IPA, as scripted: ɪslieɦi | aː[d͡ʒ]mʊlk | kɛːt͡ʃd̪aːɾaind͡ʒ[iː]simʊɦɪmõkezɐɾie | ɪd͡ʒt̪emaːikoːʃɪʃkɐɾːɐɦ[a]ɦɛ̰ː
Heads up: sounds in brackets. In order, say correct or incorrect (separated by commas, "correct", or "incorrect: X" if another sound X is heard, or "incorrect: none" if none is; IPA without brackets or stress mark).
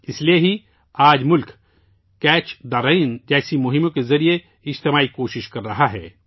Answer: correct, incorrect: ɛː, correct